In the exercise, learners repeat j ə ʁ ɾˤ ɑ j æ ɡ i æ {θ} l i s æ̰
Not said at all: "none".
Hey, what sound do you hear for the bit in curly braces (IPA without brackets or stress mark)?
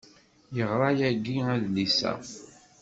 ð